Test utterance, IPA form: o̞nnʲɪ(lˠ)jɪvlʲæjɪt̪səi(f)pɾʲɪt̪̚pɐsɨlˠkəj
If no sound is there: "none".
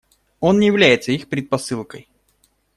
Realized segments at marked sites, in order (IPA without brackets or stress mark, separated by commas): none, x